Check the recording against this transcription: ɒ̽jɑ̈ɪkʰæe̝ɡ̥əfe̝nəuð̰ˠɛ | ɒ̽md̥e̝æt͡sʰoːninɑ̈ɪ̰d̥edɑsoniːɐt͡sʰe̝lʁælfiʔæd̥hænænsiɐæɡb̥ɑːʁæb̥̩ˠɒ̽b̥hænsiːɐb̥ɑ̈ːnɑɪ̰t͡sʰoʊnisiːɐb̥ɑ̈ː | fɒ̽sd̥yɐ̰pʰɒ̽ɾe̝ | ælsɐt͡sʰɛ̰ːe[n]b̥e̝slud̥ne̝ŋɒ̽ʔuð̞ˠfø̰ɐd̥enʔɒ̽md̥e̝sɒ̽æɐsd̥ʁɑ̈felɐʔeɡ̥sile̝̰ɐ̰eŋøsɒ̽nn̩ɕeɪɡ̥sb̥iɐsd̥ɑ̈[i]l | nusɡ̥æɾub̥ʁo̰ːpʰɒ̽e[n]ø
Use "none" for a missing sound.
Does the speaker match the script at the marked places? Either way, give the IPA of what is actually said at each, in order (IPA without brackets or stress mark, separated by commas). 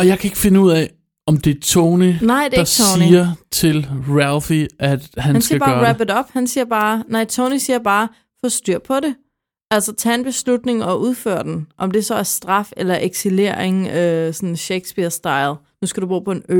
n, ɪ, n